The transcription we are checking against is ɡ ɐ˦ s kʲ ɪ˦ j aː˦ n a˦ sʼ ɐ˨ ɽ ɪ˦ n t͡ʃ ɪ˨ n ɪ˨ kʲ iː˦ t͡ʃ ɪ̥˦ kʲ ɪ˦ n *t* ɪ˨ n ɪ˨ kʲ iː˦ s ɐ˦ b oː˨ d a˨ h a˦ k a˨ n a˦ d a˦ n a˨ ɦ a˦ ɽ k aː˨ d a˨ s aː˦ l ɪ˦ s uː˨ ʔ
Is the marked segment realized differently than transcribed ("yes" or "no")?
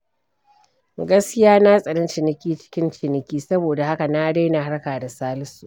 yes